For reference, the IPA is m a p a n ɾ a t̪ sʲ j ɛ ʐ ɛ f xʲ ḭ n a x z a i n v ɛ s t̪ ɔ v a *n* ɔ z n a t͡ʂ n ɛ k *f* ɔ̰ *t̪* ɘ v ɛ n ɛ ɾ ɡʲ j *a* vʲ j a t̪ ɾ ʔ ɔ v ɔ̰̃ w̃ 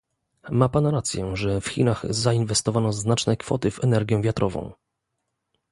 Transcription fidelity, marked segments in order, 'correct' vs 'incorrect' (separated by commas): correct, correct, correct, incorrect